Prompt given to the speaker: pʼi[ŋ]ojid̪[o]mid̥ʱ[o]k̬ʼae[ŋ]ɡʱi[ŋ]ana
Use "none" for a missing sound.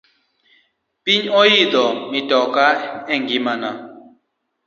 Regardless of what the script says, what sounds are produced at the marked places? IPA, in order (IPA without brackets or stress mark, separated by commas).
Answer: ɲ, ɔ, ɔ, ŋ, m